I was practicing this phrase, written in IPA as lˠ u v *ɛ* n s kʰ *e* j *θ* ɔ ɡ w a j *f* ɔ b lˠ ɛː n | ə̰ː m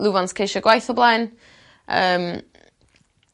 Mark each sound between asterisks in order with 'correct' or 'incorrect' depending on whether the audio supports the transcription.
incorrect, correct, incorrect, incorrect

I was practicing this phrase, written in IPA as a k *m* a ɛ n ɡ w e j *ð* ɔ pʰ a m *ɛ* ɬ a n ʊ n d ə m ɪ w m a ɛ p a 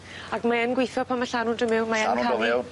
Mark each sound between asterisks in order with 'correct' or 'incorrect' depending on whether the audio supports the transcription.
correct, incorrect, incorrect

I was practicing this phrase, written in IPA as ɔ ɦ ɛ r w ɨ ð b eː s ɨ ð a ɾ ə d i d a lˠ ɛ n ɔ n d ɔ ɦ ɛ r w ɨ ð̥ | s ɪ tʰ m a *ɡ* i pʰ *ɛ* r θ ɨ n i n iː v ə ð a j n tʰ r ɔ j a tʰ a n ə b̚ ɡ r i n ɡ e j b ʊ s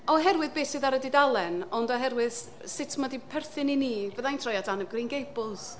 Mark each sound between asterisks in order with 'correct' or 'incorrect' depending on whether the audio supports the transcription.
incorrect, correct

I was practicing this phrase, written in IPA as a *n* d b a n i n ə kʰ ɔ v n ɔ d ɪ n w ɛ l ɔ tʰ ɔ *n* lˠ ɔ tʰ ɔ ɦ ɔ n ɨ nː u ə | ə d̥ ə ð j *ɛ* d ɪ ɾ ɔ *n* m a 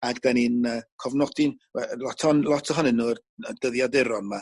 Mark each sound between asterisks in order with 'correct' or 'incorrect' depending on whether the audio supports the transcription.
incorrect, correct, incorrect, correct

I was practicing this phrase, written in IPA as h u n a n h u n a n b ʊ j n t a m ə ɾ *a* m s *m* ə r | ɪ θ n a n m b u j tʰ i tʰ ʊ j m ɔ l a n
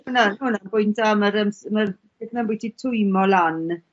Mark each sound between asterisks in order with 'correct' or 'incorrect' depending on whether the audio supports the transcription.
incorrect, correct

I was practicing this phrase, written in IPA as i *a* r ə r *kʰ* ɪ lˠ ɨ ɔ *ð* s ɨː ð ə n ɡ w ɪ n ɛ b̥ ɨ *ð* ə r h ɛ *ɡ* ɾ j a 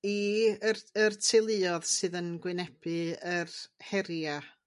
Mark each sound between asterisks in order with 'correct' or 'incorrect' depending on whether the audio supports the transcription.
incorrect, incorrect, correct, incorrect, incorrect

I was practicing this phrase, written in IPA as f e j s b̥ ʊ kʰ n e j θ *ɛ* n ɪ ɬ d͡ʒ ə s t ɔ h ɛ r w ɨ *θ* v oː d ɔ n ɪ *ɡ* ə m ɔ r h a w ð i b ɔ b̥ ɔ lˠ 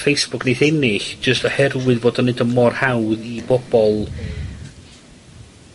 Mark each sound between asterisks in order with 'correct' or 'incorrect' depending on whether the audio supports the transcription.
correct, incorrect, incorrect

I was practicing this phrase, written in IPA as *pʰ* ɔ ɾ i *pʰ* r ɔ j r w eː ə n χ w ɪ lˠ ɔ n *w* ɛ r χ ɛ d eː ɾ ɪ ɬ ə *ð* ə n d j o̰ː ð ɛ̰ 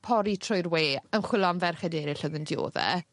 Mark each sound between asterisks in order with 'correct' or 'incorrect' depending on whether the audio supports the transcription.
correct, incorrect, incorrect, correct

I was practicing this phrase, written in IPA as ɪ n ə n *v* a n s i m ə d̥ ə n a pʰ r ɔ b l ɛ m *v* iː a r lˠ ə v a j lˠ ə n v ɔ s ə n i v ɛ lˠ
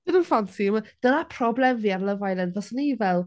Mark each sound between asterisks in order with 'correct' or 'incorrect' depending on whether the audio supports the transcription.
incorrect, correct

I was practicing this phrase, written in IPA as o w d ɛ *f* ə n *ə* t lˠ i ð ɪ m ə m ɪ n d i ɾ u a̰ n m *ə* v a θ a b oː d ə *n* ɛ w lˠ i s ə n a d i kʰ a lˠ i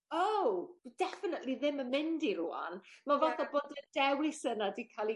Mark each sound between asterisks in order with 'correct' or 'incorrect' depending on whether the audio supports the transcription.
correct, correct, incorrect, incorrect

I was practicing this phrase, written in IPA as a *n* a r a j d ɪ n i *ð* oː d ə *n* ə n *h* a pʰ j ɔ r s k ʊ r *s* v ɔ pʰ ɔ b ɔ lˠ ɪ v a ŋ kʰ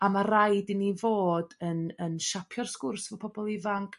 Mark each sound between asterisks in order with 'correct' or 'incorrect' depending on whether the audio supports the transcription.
incorrect, incorrect, correct, incorrect, correct

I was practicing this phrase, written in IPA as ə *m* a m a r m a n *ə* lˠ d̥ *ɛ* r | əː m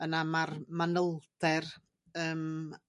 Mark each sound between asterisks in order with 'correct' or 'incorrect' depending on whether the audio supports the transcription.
incorrect, correct, correct

